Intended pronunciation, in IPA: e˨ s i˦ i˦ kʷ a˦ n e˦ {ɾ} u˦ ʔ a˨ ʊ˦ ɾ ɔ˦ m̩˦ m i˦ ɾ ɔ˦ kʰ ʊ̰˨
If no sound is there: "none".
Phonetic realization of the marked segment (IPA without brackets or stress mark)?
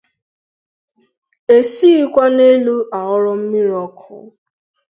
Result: l